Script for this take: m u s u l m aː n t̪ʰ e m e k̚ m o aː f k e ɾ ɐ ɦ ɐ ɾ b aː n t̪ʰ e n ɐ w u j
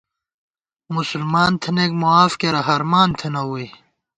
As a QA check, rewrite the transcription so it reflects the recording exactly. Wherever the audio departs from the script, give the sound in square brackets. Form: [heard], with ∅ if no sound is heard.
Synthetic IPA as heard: m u s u l m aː n t̪ʰ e [n] e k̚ m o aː f k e ɾ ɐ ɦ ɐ ɾ [m] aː n t̪ʰ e n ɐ w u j